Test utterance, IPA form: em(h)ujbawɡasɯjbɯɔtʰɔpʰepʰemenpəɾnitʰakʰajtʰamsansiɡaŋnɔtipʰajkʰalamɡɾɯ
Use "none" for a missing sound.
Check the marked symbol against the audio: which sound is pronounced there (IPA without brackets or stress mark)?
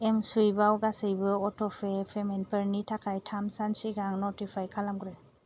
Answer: s